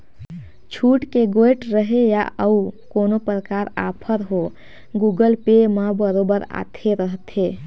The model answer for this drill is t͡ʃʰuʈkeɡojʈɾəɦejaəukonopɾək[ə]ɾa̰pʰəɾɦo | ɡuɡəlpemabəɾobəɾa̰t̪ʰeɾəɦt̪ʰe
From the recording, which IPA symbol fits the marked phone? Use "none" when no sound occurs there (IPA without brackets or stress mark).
a